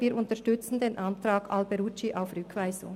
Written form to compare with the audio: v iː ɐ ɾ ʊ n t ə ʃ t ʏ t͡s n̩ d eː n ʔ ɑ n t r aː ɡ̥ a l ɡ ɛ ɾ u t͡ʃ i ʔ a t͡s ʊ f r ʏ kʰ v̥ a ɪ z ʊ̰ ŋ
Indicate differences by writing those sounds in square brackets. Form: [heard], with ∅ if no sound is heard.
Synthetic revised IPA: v iː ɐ ɾ ʊ n t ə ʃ t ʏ t͡s n̩ d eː n ʔ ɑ n t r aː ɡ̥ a l [b] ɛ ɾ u t͡ʃ i ʔ a [∅] ʊ f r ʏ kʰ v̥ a ɪ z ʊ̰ ŋ